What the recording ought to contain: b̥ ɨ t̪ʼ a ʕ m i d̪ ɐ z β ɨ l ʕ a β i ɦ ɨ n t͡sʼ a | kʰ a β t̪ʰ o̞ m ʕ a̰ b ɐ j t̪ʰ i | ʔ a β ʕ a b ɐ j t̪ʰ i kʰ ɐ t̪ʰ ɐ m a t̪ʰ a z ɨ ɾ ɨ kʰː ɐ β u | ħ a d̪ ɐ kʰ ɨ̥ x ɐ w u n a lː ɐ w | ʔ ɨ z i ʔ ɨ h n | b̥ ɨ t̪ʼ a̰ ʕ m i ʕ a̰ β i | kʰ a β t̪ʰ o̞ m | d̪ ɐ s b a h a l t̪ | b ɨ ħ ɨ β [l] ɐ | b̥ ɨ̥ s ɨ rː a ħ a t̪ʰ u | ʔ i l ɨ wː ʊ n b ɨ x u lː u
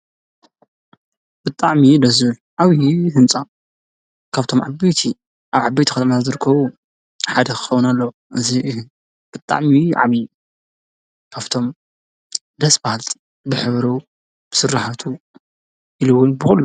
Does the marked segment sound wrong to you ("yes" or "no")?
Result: yes